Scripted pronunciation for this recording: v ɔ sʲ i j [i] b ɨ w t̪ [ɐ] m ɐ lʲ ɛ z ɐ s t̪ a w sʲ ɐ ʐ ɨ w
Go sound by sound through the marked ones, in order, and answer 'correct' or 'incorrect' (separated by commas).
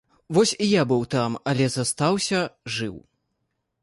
incorrect, incorrect